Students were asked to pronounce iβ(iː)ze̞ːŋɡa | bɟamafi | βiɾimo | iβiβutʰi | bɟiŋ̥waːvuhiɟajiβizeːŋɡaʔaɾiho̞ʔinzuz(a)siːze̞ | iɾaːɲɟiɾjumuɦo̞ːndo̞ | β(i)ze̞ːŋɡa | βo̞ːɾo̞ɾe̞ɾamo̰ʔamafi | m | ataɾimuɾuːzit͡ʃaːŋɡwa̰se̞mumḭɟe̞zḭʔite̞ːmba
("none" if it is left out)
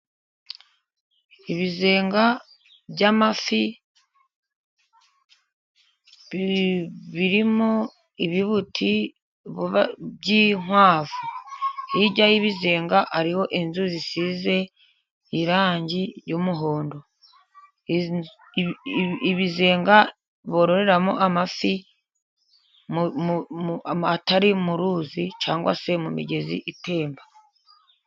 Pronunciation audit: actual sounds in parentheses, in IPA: i, i, i

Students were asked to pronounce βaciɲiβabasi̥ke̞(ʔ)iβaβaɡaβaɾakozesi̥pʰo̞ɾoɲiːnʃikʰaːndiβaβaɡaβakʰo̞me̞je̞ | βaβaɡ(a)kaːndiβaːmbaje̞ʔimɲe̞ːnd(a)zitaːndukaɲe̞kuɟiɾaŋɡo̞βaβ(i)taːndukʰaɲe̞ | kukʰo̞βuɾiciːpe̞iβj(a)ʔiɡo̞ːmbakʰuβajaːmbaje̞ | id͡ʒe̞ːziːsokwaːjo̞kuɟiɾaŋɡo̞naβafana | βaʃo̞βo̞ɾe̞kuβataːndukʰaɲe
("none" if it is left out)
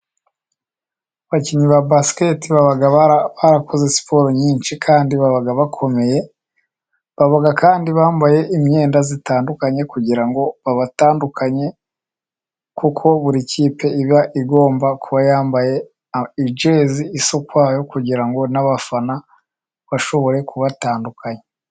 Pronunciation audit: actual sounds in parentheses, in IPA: t, a, a, a, a

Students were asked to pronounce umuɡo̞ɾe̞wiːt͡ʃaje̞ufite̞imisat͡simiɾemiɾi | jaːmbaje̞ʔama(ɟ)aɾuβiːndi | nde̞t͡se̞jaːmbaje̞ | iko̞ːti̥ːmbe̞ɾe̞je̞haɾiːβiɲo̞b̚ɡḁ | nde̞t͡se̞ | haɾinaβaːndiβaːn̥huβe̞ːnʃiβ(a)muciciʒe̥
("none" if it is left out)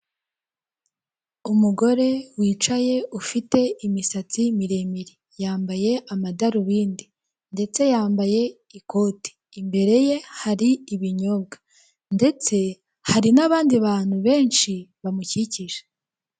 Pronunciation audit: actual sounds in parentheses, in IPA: d, a

